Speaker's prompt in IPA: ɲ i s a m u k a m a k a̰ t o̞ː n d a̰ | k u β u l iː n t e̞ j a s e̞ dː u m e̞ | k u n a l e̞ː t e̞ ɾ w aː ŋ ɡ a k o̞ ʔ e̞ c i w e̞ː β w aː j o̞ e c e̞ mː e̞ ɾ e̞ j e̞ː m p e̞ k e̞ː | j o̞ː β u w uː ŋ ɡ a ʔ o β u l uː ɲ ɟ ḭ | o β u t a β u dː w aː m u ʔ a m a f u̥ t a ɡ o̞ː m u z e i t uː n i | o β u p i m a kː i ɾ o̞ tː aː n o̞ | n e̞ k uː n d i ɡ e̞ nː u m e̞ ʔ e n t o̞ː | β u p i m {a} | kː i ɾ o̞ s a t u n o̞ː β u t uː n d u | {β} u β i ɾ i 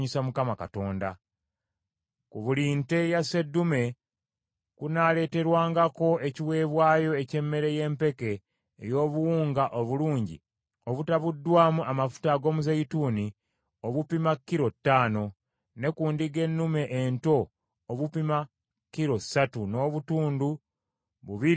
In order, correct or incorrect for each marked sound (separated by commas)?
correct, correct